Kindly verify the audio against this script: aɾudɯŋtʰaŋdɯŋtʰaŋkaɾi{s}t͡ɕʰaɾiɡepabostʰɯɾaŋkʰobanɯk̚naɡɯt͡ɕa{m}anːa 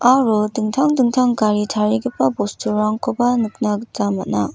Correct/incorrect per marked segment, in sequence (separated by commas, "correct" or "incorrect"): incorrect, correct